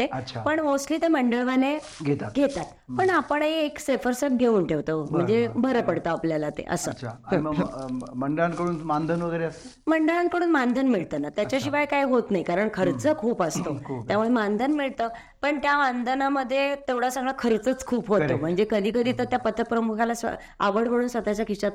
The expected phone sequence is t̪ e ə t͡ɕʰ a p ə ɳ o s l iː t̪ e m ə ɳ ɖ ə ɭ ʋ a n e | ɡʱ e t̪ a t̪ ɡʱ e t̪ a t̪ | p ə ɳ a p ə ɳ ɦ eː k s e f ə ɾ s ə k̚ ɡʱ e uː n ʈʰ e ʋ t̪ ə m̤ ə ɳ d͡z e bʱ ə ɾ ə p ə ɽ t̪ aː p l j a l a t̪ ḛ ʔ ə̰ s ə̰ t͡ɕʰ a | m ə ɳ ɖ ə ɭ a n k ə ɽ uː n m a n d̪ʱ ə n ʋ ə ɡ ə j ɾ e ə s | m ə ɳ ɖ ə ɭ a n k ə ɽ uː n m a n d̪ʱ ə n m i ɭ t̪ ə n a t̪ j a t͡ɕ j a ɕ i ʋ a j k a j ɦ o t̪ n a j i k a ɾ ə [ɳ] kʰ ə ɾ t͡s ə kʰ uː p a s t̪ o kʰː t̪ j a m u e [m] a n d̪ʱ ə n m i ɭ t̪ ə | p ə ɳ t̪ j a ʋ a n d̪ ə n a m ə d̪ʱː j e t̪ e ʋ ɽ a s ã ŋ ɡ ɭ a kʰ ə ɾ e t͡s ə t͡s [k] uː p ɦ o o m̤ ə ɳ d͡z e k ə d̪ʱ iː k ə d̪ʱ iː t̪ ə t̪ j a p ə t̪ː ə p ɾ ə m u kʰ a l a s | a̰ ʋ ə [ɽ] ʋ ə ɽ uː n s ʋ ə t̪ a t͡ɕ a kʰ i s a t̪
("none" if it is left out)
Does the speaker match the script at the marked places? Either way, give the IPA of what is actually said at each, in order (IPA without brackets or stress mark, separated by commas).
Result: ɳ, m, kʰ, ɽ